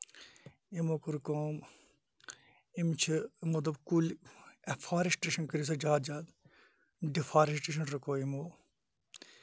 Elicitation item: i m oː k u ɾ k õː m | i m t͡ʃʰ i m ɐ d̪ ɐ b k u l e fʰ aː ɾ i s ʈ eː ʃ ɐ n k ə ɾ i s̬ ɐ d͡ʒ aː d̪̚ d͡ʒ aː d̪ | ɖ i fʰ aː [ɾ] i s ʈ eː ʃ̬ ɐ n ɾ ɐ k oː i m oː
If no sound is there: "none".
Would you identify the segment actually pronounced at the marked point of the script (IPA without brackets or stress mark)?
ɾ